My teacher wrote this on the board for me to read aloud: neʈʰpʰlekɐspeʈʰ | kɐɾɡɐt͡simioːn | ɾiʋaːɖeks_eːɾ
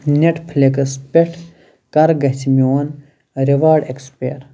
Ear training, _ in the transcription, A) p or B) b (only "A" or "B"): A